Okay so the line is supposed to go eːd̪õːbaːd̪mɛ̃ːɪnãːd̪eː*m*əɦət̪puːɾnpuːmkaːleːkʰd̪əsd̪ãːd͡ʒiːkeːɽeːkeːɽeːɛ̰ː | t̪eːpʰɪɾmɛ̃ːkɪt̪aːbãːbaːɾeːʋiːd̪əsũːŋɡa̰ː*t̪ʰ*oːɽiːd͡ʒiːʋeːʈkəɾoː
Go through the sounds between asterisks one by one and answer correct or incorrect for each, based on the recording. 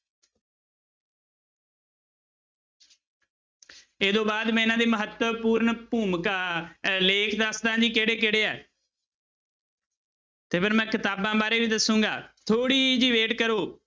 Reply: correct, correct

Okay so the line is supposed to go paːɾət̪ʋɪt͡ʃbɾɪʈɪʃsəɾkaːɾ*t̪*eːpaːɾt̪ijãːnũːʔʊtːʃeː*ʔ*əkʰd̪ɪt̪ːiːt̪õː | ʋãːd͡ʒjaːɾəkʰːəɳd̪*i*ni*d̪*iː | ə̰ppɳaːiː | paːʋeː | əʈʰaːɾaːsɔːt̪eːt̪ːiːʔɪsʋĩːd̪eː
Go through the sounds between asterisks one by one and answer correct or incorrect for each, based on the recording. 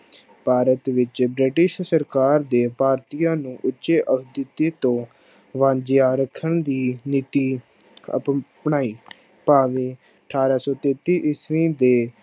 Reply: incorrect, correct, incorrect, incorrect

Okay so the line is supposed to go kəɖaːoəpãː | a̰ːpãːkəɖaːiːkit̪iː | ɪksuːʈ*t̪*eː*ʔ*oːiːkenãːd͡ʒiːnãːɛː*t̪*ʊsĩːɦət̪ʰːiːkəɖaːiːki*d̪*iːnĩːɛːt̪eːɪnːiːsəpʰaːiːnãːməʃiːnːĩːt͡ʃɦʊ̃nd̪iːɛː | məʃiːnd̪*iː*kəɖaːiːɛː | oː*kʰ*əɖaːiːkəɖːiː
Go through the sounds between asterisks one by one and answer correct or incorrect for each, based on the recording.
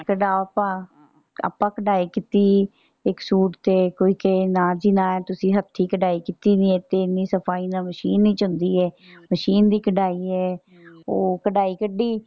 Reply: correct, incorrect, correct, incorrect, correct, incorrect

